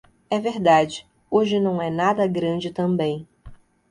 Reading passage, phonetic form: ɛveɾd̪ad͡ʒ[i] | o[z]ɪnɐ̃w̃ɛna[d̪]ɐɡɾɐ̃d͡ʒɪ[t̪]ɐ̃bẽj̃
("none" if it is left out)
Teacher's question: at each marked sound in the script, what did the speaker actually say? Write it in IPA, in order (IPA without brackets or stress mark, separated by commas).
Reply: ɪ, ʒ, d̪, t̪